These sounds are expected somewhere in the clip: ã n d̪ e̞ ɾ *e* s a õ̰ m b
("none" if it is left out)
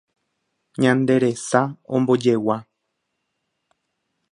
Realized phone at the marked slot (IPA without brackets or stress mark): e